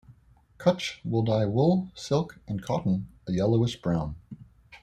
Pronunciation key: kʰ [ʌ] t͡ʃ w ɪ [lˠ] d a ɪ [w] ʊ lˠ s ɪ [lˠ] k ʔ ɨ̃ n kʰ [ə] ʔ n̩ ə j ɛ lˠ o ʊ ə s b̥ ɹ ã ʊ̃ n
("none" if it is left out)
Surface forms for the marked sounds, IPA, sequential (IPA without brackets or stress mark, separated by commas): ʌ, lˠ, w, lˠ, ɑ